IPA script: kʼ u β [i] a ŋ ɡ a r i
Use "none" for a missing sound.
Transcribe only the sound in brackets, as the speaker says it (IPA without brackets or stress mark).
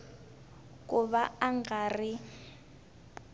a